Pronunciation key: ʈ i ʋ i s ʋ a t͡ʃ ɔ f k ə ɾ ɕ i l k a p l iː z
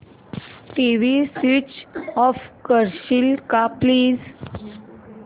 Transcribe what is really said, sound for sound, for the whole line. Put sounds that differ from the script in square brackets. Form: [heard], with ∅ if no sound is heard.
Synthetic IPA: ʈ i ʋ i s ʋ [i] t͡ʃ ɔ f k ə ɾ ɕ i l k a p l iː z